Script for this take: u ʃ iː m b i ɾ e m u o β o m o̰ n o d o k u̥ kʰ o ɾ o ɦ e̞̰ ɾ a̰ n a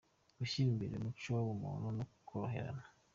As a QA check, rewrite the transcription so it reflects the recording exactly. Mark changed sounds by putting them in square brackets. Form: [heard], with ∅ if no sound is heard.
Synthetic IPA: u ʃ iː m b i ɾ e m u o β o m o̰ n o [n] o k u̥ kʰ o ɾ o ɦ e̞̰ ɾ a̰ n a